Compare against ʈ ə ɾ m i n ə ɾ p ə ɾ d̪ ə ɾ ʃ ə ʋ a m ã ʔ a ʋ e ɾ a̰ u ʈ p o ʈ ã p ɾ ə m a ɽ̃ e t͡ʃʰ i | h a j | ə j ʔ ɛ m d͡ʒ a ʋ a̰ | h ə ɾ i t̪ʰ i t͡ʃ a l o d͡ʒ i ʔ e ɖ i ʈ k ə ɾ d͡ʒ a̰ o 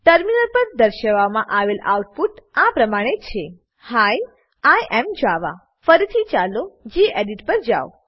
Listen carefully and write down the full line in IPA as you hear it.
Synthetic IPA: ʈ ə ɾ m i n ə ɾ p ə ɾ d̪ ə ɾ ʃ ə ʋ a m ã ʔ a ʋ e l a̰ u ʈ p u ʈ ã p ɾ ə m a ɽ̃ e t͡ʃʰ e | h a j | a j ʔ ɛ m d͡ʒ a ʋ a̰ | f ə ɾ i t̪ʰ i t͡ʃ a l o d͡ʒ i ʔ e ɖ i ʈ p ə ɾ d͡ʒ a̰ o